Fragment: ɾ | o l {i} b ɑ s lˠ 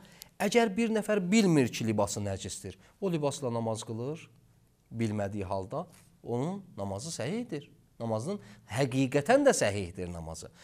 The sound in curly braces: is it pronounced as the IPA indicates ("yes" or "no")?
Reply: yes